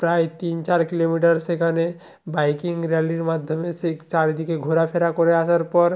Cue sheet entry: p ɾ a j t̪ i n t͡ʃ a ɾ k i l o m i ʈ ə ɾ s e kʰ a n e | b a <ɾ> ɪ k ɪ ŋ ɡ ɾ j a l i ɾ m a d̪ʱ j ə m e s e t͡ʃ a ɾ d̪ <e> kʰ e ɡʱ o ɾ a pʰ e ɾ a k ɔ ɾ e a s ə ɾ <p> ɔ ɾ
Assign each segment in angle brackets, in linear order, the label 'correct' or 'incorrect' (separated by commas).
incorrect, incorrect, correct